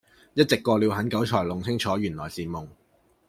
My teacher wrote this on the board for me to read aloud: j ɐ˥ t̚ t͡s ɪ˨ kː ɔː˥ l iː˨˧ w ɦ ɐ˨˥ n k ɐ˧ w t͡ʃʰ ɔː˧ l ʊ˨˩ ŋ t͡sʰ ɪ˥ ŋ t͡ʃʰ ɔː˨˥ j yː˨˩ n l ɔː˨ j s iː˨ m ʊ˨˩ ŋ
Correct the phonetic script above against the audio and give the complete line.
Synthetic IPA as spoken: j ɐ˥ t̚ t͡s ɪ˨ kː ɔː˧ l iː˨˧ w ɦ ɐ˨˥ n k ɐ˨˥ w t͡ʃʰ ɔː˨˩ l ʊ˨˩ ŋ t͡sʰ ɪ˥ ŋ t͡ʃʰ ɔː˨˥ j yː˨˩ n l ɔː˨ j s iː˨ m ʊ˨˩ ŋ